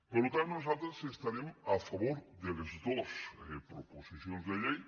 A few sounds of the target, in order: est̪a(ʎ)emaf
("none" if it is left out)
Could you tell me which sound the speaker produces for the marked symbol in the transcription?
ɾ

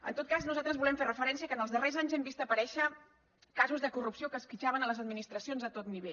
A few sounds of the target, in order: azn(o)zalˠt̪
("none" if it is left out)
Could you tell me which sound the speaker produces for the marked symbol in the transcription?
u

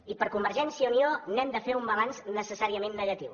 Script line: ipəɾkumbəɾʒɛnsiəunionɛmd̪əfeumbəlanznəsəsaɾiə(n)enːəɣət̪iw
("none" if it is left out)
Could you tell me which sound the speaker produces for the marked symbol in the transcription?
m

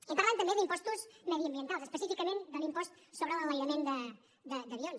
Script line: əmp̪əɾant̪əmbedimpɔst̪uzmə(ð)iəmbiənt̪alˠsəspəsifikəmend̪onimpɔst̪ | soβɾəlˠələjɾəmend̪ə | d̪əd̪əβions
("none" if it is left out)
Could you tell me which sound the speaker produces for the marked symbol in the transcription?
ð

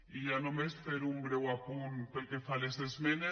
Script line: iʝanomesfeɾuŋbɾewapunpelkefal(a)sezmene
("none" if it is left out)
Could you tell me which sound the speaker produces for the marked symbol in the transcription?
e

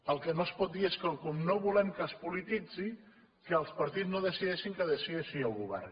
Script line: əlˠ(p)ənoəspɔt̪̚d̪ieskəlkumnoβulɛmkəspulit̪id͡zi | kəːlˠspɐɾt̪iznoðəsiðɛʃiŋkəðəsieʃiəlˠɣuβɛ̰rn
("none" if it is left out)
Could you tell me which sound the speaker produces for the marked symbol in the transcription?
k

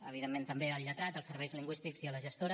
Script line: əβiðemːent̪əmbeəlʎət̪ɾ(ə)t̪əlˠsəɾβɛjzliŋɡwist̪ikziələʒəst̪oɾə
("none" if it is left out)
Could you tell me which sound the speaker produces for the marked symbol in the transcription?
a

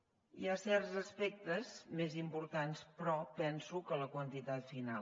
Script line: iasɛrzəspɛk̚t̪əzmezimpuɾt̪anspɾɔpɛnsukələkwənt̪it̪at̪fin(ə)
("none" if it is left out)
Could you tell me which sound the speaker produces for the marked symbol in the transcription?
a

